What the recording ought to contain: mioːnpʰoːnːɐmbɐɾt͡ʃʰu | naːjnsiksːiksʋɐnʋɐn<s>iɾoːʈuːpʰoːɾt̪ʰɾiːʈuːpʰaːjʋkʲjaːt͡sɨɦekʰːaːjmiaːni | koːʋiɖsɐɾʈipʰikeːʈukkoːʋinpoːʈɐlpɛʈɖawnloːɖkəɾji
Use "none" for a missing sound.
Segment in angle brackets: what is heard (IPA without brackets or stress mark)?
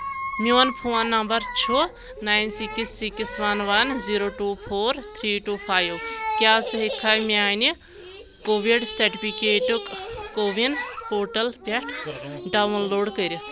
z